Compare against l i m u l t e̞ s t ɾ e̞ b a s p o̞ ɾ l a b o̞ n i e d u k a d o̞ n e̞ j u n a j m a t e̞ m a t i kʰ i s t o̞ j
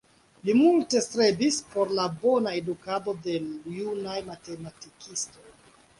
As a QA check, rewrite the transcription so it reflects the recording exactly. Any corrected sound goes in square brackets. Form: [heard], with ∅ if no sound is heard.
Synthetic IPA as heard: l i m u l t e̞ s t ɾ e̞ b [i] s p o̞ ɾ l a b o̞ n [a] e d u k a d o̞ [d] e̞ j u n a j m a t e̞ m a t i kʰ i s t o̞ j